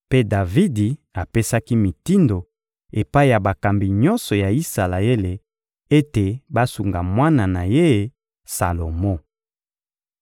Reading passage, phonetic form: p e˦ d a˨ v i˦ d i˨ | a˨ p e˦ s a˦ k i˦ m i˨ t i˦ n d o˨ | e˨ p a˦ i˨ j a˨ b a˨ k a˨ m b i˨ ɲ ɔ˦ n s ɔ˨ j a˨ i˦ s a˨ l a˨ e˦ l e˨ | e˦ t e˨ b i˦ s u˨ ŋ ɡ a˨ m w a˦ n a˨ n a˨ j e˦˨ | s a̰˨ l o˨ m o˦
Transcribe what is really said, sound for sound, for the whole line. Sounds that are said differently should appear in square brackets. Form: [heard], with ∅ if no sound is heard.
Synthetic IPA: p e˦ d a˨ v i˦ d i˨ | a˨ p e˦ s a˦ k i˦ m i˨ t i˦ n d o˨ | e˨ p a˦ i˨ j a˨ b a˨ k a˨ m b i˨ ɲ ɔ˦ n s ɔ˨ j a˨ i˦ s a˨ l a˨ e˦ l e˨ | e˦ t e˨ b [a˦] s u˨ ŋ ɡ a˨ m w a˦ n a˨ n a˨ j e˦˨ | s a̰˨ l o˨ m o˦